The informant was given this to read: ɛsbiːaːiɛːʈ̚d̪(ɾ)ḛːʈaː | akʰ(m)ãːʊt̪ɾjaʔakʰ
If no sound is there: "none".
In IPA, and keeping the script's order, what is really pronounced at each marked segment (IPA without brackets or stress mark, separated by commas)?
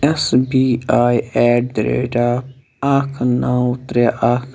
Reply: ɾ, n